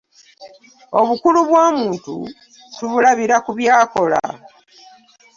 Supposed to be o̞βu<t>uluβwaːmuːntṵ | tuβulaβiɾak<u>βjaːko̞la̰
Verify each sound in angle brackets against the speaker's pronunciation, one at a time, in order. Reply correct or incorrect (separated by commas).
incorrect, correct